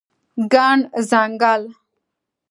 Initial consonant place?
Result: velar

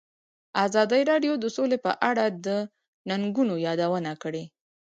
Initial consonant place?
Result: alveolar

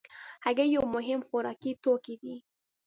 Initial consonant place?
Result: glottal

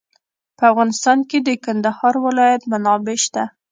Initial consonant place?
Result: labial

